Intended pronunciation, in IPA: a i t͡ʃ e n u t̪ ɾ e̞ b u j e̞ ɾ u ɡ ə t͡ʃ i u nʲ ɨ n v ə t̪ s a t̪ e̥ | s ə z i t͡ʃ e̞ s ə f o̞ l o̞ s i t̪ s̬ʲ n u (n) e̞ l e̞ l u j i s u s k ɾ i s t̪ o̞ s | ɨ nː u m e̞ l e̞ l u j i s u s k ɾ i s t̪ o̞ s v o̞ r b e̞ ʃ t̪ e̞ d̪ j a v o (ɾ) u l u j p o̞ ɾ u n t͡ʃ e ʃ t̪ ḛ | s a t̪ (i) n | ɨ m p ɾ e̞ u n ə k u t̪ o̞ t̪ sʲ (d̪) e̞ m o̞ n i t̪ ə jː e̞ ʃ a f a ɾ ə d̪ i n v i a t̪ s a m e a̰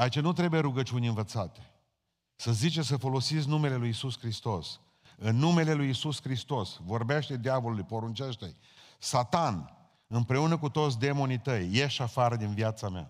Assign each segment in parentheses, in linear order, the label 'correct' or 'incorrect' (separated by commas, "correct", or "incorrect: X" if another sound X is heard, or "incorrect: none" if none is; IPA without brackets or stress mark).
incorrect: m, incorrect: l, incorrect: a, correct